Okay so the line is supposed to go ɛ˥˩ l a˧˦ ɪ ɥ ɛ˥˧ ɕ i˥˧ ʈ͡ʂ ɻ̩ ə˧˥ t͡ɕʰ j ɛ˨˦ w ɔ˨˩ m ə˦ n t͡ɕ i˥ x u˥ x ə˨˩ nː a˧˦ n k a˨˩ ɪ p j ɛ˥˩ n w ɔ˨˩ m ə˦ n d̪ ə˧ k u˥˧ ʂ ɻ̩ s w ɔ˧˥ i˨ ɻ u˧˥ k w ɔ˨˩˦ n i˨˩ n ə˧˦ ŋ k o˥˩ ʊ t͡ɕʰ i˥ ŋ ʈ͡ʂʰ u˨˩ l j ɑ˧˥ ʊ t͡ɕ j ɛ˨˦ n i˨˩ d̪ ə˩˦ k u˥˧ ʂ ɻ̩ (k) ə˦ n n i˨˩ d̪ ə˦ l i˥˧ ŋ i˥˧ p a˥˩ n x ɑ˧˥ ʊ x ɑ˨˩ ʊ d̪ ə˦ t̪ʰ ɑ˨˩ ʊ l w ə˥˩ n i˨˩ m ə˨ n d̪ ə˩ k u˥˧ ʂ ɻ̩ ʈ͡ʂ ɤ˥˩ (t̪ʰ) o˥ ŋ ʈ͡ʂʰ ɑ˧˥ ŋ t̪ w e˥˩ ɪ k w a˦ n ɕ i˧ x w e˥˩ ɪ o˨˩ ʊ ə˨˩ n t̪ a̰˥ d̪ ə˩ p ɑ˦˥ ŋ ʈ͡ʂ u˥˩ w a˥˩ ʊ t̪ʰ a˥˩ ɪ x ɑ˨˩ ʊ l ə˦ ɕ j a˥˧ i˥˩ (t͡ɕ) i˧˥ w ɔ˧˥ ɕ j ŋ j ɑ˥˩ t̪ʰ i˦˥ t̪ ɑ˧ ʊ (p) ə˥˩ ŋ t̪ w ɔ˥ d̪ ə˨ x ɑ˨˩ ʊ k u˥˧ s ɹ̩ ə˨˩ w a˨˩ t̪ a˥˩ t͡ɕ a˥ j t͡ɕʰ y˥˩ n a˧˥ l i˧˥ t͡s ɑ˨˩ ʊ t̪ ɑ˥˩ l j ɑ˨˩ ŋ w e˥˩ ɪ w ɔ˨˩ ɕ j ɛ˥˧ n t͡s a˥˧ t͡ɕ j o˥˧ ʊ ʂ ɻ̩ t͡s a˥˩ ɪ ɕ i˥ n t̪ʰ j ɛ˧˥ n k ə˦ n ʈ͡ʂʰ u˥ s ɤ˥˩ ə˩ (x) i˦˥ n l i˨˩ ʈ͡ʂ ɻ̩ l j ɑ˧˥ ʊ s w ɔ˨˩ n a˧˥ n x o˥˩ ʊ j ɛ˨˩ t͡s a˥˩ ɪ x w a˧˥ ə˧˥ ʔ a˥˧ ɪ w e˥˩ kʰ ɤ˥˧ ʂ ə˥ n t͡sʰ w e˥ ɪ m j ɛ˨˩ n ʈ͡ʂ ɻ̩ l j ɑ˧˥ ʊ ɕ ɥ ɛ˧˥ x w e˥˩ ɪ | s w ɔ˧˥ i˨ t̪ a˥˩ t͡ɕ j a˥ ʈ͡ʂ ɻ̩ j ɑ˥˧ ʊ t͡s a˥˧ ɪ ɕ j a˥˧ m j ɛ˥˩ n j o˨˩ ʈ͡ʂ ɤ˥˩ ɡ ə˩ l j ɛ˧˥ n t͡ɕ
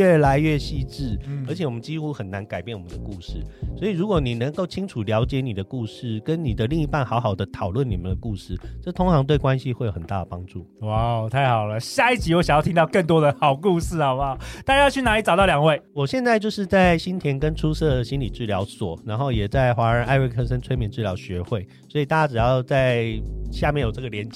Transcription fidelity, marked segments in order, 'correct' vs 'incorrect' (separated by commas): correct, correct, correct, incorrect, incorrect